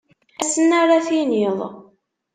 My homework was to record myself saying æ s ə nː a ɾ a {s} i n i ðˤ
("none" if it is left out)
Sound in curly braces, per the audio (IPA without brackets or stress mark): θ